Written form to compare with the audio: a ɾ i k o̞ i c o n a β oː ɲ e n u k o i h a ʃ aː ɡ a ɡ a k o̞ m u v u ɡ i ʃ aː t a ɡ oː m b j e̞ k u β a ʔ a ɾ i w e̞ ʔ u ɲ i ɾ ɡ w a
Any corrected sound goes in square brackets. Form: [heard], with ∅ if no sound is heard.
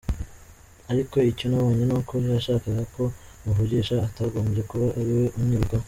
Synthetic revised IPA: a ɾ i k o̞ i c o n a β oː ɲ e n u k o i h a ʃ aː [k] a ɡ a k o̞ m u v u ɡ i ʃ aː t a ɡ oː m b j e̞ k u β a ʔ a ɾ i w e̞ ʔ u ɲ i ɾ ɡ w a